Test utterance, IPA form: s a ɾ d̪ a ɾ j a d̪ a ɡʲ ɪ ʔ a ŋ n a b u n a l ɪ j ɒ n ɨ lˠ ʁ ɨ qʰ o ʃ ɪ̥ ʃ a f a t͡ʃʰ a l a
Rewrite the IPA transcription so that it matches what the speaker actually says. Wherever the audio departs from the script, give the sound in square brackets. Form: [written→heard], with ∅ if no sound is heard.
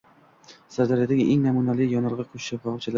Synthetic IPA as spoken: s a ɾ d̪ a ɾ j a d̪ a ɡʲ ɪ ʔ [a→e] ŋ n a [b→m] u n a l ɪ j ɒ n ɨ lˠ ʁ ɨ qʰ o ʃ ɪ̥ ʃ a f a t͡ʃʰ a l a